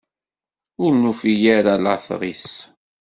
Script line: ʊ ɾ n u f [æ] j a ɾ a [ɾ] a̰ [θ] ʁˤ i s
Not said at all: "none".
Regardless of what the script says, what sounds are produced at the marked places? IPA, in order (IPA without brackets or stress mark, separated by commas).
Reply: i, l, θ